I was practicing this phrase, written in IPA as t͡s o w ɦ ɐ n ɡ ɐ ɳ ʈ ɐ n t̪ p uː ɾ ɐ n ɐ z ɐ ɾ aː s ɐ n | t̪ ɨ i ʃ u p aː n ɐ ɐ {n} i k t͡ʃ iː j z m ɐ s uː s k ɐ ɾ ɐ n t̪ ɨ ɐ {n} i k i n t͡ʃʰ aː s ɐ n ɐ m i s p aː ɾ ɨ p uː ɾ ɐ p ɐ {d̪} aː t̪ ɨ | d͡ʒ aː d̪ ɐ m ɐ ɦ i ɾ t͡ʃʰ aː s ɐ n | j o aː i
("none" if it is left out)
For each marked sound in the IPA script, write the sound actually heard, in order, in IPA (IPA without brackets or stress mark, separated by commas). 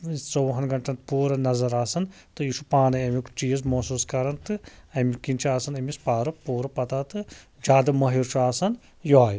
m, m, t̪